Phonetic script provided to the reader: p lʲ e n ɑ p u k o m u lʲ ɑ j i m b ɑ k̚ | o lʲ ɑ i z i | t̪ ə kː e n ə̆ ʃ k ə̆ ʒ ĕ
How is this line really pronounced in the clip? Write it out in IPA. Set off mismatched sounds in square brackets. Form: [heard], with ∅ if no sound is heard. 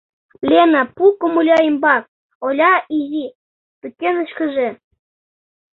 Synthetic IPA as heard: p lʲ e n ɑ p u k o m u lʲ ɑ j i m b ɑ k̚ | o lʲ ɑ i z i | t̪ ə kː e n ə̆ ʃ k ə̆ ʒ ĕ